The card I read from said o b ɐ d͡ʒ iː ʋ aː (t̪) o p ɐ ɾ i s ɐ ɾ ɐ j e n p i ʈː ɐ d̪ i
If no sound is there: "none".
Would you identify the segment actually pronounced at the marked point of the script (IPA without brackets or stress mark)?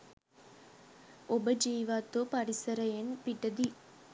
t̪